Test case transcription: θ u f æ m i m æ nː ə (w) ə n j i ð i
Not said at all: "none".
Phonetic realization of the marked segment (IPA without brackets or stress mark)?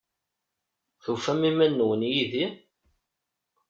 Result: w